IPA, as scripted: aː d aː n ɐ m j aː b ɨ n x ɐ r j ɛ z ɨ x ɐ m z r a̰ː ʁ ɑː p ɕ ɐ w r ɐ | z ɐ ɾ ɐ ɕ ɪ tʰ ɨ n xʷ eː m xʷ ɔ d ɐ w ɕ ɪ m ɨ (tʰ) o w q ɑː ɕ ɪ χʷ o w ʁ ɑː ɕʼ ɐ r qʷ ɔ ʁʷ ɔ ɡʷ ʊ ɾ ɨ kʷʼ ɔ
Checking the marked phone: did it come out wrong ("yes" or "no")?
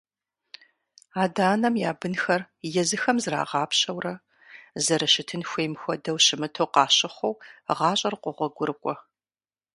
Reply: no